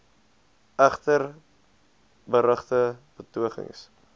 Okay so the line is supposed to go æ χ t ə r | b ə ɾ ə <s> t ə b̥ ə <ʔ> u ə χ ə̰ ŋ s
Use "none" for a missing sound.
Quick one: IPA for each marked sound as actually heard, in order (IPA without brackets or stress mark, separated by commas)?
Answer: χ, t